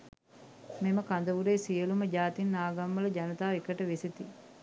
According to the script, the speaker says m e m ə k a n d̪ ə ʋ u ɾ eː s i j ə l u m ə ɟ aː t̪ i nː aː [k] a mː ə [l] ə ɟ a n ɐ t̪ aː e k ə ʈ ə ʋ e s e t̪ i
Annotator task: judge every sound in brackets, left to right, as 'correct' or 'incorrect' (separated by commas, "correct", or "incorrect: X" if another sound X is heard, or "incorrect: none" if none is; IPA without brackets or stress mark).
incorrect: ɡ, correct